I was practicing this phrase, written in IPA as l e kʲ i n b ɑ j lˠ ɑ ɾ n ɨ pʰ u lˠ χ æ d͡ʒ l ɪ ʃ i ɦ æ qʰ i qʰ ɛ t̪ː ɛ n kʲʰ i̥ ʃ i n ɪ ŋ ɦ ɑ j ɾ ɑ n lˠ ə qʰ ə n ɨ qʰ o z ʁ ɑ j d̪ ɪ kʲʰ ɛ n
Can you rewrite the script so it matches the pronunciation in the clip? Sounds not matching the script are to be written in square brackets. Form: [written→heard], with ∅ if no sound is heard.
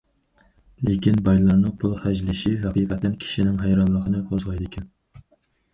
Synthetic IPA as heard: l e kʲ i n b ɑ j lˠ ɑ ɾ n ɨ pʰ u lˠ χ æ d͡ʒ l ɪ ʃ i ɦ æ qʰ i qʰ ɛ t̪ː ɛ n kʲʰ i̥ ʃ i n ɪ ŋ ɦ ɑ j ɾ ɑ n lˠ ə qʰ ə n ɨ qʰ o z ʁ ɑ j d̪ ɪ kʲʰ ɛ n

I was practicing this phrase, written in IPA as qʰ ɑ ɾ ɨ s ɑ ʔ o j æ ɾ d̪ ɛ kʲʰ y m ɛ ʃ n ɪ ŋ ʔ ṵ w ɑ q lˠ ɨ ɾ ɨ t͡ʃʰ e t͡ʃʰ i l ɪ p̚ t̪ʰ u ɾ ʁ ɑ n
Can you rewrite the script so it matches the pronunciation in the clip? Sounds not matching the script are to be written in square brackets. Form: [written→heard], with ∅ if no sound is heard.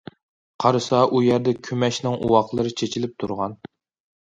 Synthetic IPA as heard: qʰ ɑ ɾ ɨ s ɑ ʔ [o→u] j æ ɾ d̪ ɛ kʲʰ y m ɛ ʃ n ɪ ŋ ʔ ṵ w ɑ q lˠ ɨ ɾ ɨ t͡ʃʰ e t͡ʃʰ i l ɪ p̚ t̪ʰ u ɾ ʁ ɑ n

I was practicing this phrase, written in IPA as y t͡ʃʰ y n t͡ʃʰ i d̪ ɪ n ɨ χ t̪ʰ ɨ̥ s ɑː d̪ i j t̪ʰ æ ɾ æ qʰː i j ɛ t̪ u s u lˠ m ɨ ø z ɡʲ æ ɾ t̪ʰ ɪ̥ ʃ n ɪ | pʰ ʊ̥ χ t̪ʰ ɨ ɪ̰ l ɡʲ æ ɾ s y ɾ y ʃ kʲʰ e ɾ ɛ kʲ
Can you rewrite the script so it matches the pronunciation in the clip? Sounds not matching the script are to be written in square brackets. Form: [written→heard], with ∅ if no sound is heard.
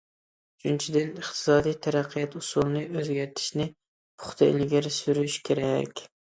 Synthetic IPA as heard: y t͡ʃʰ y n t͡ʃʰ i d̪ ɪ n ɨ χ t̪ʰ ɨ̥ s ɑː d̪ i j t̪ʰ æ ɾ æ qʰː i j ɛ t̪ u s u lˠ [m→n] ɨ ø z ɡʲ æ ɾ t̪ʰ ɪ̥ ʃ n ɪ | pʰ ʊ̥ χ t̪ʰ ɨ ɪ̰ l ɡʲ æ ɾ s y ɾ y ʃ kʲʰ e ɾ ɛ kʲ

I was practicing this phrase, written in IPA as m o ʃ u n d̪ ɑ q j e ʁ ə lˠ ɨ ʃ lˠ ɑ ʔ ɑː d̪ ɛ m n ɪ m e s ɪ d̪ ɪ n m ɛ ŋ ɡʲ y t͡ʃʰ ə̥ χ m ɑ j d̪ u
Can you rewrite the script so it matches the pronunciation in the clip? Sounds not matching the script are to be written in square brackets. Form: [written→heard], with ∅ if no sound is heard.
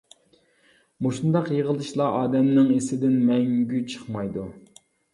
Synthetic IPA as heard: m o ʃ u n d̪ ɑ q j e ʁ ə lˠ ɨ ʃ lˠ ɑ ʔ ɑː d̪ ɛ m n ɪ [m→ŋ] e s ɪ d̪ ɪ n m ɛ ŋ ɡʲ y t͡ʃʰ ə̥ χ m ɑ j d̪ u

